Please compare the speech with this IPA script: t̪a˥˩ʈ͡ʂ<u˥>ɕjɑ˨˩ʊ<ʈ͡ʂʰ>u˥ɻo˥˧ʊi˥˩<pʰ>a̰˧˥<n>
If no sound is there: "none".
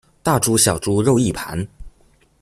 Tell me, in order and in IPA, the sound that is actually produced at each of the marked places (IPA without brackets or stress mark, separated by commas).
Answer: u˥, ʈ͡ʂ, pʰ, n